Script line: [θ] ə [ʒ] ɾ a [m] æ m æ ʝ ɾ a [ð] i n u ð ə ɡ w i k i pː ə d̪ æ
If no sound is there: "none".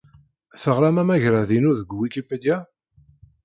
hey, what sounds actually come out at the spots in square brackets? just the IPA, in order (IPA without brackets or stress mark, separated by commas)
θ, ʁ, m, ð